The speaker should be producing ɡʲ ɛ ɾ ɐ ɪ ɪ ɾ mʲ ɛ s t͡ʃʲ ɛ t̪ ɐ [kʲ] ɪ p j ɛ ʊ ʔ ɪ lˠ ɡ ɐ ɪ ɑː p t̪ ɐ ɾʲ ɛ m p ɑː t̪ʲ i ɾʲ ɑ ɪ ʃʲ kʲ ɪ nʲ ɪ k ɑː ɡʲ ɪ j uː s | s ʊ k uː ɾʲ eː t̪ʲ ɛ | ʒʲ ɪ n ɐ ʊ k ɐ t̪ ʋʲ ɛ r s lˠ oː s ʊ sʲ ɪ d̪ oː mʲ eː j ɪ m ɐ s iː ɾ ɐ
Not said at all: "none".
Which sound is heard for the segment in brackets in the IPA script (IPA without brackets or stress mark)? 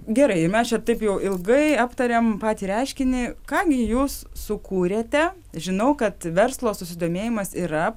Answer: none